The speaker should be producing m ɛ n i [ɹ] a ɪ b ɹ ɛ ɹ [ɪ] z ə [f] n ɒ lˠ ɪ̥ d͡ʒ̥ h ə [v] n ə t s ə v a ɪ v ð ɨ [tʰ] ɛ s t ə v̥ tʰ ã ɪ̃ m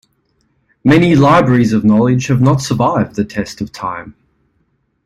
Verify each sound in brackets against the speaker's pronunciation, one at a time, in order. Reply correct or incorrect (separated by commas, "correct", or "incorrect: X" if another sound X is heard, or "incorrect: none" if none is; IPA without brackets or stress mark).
incorrect: l, incorrect: i, incorrect: v, correct, correct